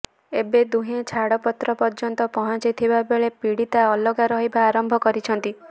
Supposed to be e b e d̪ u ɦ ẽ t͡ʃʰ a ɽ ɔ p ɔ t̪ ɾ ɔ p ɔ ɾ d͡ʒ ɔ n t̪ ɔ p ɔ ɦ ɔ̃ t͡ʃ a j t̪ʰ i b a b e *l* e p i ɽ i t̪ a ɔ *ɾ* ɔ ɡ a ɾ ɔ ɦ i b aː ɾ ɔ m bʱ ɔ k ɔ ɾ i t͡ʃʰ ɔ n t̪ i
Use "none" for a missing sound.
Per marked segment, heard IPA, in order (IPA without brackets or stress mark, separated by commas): ɭ, l